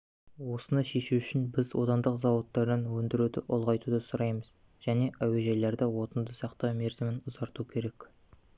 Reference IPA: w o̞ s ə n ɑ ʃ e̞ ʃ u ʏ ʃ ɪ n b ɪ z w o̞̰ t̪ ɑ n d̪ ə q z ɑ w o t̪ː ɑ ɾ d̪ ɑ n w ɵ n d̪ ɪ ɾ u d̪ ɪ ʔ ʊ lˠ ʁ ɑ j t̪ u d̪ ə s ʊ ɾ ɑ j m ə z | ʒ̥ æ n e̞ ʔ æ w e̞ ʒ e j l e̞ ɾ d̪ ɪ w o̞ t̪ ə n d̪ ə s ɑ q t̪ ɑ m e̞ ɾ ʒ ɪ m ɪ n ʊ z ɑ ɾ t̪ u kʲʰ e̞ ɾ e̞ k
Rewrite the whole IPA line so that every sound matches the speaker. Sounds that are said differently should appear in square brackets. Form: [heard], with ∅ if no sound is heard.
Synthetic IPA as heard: w o̞ s ə n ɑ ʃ e̞ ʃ u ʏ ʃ ɪ n b ɪ z w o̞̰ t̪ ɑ n d̪ ə q z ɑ w o t̪ː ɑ ɾ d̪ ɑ n w ɵ n d̪ ɪ ɾ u d̪ ɪ ʔ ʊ lˠ ʁ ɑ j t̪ u d̪ ə s ʊ ɾ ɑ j m ə z | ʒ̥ æ n e̞ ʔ æ w e̞ ʒ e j l e̞ ɾ d̪ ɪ w o̞ t̪ ə n d̪ ə s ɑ q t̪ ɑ m e̞ ɾ [z] ɪ m ɪ n ʊ z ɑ ɾ t̪ u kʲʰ e̞ ɾ e̞ k

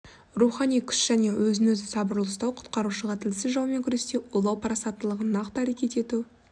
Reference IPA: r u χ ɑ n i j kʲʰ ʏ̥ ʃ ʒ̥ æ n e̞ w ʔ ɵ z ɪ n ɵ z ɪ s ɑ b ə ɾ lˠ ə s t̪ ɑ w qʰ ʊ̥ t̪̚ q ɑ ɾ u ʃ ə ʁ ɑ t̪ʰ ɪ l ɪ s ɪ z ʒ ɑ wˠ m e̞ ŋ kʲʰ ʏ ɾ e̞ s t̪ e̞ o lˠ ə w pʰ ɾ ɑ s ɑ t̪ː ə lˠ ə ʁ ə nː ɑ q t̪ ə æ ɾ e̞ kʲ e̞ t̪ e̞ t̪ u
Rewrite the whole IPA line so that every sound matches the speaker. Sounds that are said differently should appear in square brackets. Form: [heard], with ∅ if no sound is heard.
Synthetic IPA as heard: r u χ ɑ n i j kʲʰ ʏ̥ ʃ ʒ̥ æ n e̞ w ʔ ɵ z ɪ n ɵ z ɪ s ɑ b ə ɾ lˠ ə s t̪ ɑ w qʰ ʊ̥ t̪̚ q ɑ ɾ u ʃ ə ʁ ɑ t̪ʰ ɪ l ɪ s ɪ z ʒ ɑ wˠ m e̞ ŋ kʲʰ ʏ ɾ e̞ s t̪ e̞ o lˠ [ɑ] w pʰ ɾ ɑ s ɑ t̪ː ə lˠ ə ʁ ə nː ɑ q t̪ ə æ ɾ e̞ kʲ e̞ t̪ e̞ t̪ u

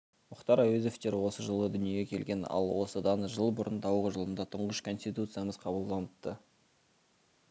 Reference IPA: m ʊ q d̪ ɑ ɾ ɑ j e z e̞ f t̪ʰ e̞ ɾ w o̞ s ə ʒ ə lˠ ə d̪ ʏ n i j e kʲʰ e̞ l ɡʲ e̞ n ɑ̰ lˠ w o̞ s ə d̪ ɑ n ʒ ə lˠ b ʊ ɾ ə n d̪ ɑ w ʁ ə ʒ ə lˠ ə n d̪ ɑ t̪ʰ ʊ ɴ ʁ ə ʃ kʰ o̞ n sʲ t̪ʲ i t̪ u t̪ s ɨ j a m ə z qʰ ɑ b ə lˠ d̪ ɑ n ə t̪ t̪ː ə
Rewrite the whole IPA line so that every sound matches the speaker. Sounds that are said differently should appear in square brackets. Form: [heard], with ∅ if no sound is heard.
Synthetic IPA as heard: m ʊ q [t̪] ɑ ɾ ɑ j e z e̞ f [t̪] e̞ ɾ w o̞ s ə ʒ ə lˠ ə d̪ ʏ n i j e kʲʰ e̞ l ɡʲ e̞ n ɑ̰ lˠ w o̞ s ə d̪ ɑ n ʒ ə lˠ b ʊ ɾ ə n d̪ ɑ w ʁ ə ʒ ə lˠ ə n d̪ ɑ t̪ʰ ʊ ɴ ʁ ə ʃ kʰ o̞ n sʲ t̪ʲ i t̪ u t̪ s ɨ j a m ə z qʰ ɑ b ə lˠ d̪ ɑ n ə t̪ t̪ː ə

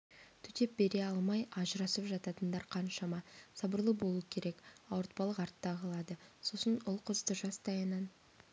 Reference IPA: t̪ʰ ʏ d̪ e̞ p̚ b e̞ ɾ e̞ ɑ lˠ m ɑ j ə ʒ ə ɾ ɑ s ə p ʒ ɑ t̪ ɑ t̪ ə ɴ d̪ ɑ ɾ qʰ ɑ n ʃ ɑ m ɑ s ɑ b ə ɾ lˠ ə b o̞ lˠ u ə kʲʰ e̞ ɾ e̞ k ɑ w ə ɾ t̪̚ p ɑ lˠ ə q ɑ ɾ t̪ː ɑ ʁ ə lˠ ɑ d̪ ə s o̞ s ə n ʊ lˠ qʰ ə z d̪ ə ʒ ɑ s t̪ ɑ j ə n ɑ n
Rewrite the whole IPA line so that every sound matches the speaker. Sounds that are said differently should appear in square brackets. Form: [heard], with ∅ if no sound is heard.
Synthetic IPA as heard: t̪ʰ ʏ [t̪] e̞ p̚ b e̞ ɾ e̞ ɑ lˠ m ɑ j [ɑ] ʒ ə ɾ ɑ s ə p ʒ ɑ t̪ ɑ t̪ ə [n] d̪ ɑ ɾ qʰ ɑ n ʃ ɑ m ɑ s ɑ b ə ɾ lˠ ə b o̞ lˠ u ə kʲʰ e̞ ɾ e̞ k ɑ w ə ɾ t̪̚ p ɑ lˠ ə q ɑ ɾ t̪ː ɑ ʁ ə lˠ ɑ d̪ ə s o̞ s ə n ʊ lˠ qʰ ə z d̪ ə ʒ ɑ s t̪ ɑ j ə n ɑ n

